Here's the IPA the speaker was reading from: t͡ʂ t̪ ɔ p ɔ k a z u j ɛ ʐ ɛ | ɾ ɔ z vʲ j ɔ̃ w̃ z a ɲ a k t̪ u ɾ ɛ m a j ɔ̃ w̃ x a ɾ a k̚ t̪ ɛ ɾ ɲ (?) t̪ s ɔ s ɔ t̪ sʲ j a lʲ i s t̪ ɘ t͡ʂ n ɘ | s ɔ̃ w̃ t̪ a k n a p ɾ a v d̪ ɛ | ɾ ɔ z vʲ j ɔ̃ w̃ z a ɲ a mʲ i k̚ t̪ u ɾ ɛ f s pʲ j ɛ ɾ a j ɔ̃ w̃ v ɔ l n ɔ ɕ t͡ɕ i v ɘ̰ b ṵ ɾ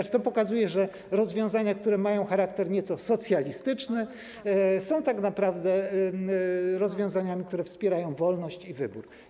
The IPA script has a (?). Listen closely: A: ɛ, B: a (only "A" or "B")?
A